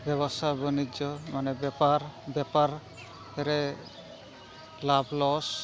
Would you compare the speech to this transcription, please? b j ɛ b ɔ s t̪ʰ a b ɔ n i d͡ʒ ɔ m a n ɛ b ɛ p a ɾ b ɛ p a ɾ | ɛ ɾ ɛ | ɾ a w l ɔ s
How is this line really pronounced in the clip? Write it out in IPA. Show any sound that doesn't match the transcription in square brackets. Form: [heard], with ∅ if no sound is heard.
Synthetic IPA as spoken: b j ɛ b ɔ s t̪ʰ a b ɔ n i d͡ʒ ɔ m a n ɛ b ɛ p a ɾ b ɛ p a ɾ | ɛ ɾ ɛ | [l] a [b] l ɔ s

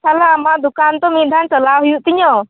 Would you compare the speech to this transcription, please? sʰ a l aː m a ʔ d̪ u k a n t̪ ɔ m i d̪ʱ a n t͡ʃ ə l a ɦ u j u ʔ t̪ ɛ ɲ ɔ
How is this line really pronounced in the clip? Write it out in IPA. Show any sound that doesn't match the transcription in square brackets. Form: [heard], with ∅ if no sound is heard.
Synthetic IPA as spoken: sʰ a l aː m a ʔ d̪ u k a n t̪ ɔ m i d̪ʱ a n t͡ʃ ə l a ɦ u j u ʔ t̪ [i] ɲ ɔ

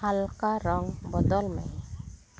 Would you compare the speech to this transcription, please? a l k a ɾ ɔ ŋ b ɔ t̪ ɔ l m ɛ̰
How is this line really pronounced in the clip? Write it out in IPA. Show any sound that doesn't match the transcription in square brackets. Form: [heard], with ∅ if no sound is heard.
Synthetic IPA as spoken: a l k a ɾ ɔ ŋ b ɔ [d̪] ɔ l m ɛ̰

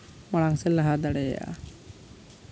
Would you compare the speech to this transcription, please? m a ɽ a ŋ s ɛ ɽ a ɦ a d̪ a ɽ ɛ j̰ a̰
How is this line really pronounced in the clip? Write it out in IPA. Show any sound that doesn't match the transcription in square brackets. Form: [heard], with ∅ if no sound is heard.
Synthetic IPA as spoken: m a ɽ a ŋ s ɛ [l] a ɦ a d̪ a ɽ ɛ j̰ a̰

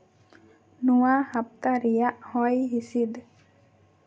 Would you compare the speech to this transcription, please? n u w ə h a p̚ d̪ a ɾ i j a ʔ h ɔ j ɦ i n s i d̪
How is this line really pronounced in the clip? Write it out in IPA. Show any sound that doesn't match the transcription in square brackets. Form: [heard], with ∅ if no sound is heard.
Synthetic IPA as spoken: n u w [a] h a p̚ [t̪] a ɾ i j a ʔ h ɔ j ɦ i [∅] s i d̪

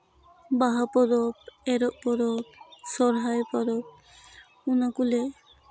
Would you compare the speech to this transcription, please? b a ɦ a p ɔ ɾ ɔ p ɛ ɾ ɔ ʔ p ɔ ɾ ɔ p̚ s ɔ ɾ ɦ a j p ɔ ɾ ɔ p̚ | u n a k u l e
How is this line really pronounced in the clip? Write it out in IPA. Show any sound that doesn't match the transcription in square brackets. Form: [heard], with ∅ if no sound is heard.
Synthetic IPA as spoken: b a ɦ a p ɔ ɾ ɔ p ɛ ɾ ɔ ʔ p ɔ ɾ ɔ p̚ s ɔ ɾ ɦ a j p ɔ ɾ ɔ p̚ | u n a k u l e

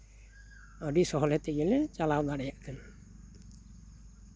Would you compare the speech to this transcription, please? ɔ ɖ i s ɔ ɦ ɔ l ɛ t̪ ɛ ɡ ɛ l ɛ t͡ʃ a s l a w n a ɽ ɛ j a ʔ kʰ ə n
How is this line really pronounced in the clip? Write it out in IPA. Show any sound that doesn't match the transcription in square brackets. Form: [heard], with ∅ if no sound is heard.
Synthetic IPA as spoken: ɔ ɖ i s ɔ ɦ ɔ l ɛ t̪ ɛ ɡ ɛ l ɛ t͡ʃ a [∅] l a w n a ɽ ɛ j a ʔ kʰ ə n

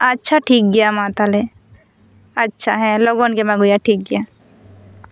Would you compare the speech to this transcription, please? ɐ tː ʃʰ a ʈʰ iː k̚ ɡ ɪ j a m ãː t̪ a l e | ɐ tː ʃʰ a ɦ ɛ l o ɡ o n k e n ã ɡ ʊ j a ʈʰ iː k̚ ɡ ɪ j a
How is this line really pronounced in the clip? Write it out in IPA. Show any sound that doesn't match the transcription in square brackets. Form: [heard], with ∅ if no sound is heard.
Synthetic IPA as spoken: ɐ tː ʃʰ a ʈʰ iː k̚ ɡ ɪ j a m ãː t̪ a l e | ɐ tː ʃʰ a ɦ ɛ l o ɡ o n k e [m] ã ɡ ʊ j a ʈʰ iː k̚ ɡ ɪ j a

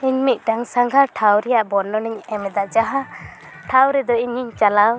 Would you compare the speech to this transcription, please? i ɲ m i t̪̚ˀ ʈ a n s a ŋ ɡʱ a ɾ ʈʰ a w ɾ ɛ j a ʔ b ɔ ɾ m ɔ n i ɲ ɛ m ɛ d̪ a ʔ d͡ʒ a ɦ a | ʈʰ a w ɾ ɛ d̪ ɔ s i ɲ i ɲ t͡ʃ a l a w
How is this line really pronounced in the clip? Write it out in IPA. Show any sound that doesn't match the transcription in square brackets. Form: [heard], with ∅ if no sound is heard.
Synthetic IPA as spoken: i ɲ m i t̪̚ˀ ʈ a [ŋ] s a ŋ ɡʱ a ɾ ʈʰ a w ɾ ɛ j a ʔ b ɔ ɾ [n] ɔ n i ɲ ɛ m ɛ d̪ a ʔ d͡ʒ a ɦ a | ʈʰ a w ɾ ɛ d̪ ɔ [∅] i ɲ i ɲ t͡ʃ a l a w

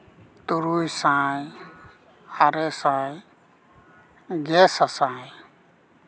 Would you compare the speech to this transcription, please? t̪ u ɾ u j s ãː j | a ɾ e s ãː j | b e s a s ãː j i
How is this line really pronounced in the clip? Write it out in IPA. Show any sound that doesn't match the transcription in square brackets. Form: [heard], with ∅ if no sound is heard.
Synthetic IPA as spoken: t̪ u ɾ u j s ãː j | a ɾ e s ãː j | [ɡ] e s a s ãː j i

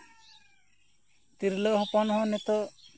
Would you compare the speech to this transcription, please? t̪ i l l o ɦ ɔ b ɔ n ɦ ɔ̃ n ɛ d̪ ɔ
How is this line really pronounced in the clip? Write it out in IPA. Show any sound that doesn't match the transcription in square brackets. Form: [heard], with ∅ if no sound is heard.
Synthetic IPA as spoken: t̪ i [ɾ] l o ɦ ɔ [p] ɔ n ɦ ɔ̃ n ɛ [t̪] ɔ

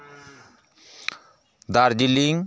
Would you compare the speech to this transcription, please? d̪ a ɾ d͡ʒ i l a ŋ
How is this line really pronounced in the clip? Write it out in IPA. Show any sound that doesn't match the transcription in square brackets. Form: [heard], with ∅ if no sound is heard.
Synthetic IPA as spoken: d̪ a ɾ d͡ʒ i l [i] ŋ

